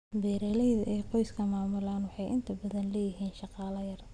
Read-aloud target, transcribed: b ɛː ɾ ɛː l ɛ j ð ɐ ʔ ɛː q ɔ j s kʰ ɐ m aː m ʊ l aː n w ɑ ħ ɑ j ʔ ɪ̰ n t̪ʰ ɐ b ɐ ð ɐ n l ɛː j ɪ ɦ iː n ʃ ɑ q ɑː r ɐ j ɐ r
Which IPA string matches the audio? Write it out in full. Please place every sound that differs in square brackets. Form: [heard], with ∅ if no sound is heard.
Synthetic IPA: b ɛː ɾ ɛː l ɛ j ð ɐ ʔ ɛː q ɔ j s kʰ ɐ m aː m ʊ l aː n w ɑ ħ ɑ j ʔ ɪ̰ n t̪ʰ ɐ b ɐ ð ɐ n l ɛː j ɪ ɦ iː n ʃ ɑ q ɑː [l] ɐ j ɐ r